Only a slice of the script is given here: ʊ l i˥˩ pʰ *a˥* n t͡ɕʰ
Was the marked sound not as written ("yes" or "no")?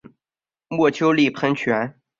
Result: yes